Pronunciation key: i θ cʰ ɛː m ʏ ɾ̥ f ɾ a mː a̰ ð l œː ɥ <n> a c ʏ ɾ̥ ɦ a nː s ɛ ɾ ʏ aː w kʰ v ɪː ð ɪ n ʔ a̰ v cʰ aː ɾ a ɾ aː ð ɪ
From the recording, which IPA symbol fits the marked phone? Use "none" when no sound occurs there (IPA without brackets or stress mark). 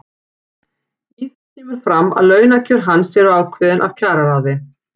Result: n